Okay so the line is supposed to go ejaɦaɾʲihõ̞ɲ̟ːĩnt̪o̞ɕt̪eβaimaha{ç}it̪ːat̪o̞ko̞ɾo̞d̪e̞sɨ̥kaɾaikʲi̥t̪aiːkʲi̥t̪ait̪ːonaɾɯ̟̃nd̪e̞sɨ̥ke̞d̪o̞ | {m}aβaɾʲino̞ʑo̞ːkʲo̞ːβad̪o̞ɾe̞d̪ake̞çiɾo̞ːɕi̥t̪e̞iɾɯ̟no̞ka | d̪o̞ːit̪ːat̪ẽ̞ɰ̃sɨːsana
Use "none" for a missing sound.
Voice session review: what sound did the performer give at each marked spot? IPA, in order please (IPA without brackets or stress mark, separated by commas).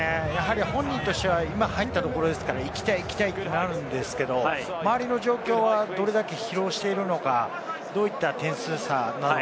none, m